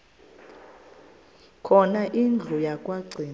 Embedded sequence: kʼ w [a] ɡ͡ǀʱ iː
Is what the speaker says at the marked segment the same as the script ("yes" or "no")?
yes